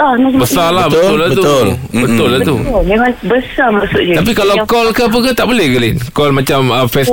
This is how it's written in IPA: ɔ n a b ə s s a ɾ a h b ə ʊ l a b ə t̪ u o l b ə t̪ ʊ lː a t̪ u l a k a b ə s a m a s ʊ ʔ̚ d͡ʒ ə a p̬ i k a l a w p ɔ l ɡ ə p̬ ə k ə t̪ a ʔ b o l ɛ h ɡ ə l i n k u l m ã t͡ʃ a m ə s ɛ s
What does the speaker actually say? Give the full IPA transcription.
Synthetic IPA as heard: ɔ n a b ə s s a l a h b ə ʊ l a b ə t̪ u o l b ə t̪ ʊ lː a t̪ u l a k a b ə s a m a s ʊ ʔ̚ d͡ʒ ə a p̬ i k a l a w k ɔ l k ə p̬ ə k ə t̪ a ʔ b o l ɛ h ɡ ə l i n k ɔ l m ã t͡ʃ a m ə f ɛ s